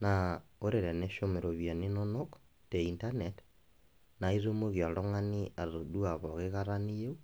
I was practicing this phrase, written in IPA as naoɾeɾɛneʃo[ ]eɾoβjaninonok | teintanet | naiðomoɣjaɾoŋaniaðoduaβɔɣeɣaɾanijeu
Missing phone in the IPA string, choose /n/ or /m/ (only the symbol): m